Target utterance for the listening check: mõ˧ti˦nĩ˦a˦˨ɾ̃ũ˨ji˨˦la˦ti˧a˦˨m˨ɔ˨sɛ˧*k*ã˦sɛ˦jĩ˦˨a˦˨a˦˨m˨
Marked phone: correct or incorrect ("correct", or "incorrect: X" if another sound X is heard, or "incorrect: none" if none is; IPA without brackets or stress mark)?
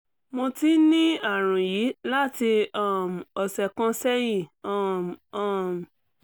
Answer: correct